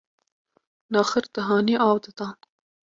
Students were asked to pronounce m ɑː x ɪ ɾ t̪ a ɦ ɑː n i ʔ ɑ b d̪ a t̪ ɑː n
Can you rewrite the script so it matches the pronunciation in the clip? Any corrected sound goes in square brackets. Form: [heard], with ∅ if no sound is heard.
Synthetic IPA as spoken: [n] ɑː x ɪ ɾ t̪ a ɦ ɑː n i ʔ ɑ [w] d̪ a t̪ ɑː n